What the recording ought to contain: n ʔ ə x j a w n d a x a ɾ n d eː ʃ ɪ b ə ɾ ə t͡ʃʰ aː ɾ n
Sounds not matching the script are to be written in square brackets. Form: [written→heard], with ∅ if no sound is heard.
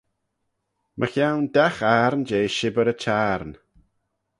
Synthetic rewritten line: [n→m] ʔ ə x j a w n d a x a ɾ n [d→d͡ʒ] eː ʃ ɪ b ə ɾ ə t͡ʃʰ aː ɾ n